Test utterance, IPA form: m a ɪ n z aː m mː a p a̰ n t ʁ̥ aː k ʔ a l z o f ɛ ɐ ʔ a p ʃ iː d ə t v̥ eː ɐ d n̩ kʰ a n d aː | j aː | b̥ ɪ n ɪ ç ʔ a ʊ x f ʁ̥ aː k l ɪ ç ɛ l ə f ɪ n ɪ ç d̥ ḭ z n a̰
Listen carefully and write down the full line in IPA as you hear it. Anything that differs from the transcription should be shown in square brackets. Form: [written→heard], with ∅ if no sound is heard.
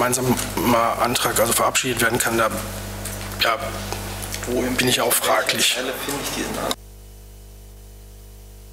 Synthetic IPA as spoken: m a ɪ n z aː m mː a [p→ʔ] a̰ n t ʁ̥ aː k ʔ a l z o f ɛ ɐ ʔ a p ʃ iː d ə t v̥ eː ɐ d n̩ kʰ a n d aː | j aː | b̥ ɪ n ɪ ç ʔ a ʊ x f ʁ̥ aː k l ɪ ç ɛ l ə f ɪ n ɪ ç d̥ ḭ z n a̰